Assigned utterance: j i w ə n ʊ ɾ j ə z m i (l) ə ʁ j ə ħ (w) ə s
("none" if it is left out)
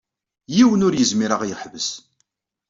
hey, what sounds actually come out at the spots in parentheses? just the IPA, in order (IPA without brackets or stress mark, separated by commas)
ɾ, v